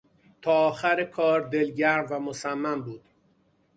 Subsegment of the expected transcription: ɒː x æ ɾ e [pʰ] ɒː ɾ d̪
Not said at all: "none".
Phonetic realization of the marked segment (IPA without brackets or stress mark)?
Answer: kʰ